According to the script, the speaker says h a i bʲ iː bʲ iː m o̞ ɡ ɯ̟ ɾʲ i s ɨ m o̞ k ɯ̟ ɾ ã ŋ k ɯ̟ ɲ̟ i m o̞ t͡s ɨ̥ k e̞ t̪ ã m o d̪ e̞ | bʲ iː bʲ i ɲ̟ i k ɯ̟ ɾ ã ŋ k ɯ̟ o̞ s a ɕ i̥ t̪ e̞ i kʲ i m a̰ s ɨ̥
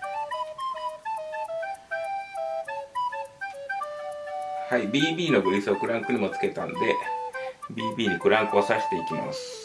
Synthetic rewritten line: h a i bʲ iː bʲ iː n o̞ ɡ ɯ̟ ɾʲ i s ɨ o̞ k ɯ̟ ɾ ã ŋ k ɯ̟ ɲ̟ i m o̞ t͡s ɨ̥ k e̞ t̪ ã n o d̪ e̞ | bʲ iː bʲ iː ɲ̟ i k ɯ̟ ɾ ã ŋ k ɯ̟ o̞ s a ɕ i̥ t̪ e̞ i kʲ i m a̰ s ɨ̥